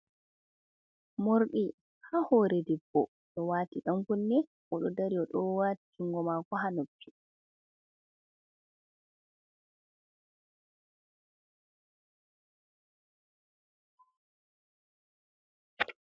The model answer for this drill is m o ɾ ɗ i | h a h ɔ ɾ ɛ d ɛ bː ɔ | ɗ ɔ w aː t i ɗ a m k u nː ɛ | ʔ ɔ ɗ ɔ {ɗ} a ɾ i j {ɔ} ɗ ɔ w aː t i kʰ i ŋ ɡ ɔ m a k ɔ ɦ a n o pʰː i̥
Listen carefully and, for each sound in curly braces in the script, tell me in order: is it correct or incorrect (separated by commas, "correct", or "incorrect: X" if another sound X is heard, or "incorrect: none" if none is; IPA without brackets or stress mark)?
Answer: incorrect: d, correct